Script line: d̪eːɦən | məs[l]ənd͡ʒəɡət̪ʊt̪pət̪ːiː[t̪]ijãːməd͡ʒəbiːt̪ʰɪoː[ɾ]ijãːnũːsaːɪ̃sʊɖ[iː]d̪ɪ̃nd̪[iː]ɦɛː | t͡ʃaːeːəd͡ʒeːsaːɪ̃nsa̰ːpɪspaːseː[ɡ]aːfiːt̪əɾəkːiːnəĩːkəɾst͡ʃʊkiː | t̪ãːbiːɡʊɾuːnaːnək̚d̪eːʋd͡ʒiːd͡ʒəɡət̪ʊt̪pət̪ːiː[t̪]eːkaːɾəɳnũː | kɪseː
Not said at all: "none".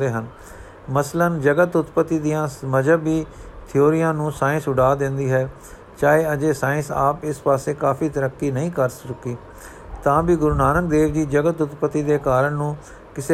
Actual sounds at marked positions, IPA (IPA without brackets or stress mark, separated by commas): l, d̪, ɾ, aː, iː, k, d̪